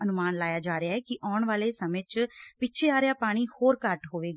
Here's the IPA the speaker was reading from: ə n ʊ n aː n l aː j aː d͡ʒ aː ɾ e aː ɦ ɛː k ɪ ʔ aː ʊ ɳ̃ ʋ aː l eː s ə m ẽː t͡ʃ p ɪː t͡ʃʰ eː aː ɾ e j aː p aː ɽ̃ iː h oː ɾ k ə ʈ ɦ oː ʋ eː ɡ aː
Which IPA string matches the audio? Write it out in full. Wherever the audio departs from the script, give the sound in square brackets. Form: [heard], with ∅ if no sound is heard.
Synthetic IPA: ə n ʊ [m] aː n l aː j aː d͡ʒ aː ɾ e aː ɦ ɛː k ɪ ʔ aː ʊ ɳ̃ ʋ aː l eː s ə m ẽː t͡ʃ p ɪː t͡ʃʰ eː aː ɾ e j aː p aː ɽ̃ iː h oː ɾ k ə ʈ ɦ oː ʋ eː ɡ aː